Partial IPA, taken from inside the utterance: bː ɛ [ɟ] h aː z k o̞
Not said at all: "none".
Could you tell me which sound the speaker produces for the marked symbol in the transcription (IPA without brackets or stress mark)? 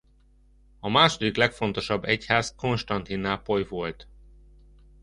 c